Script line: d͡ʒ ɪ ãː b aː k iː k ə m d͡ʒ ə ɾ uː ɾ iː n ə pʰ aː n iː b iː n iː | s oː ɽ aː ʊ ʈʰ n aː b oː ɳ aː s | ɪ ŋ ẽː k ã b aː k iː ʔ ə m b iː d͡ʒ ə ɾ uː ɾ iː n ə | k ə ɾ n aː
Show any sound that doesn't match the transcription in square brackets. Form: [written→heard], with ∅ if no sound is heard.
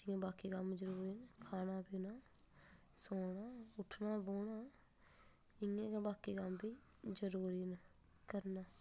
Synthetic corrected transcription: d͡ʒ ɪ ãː b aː k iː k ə m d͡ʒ ə ɾ uː ɾ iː n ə [pʰ→kʰ] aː n [iː→aː] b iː n [iː→aː] | s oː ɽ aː ʊ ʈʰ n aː b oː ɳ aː [s→∅] | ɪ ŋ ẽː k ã b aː k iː [ʔ→k] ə m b iː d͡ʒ ə ɾ uː ɾ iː n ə | k ə ɾ n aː